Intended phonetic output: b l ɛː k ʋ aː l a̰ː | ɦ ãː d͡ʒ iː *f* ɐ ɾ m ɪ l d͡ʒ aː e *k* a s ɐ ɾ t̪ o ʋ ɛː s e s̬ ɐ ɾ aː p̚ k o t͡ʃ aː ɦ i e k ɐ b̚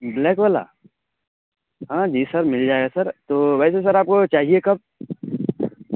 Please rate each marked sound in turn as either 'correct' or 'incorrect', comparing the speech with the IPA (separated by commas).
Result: incorrect, incorrect